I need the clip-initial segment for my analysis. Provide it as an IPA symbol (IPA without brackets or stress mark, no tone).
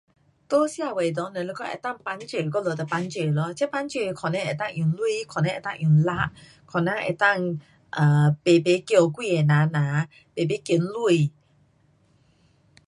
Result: t̪